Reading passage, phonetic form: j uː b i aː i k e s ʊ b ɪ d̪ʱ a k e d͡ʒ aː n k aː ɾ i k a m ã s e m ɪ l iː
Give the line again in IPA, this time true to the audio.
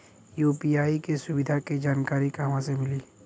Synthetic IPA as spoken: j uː p i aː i k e s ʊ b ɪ d̪ʱ a k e d͡ʒ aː n k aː ɾ i k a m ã s e m ɪ l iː